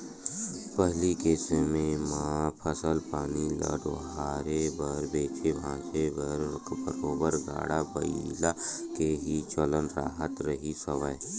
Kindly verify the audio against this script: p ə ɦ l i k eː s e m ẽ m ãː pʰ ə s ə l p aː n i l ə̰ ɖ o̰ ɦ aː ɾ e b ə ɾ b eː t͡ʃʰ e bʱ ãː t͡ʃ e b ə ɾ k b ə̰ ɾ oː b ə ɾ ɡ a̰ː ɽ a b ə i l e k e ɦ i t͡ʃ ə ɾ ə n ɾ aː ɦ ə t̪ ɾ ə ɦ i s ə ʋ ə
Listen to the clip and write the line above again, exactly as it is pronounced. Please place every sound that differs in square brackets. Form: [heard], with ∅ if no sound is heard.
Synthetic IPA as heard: p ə ɦ l i k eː s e m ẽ m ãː pʰ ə s ə l p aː n i l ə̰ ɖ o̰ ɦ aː ɾ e b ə ɾ b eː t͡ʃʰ e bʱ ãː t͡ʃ e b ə ɾ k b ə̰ ɾ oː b ə ɾ ɡ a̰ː ɽ a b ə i l [a] k e ɦ i t͡ʃ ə [l] ə n ɾ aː ɦ ə t̪ ɾ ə ɦ i s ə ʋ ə